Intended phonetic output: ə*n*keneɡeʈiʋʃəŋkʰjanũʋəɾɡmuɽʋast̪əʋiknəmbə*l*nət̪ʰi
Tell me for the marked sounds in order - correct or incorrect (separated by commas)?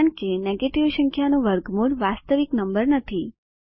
incorrect, incorrect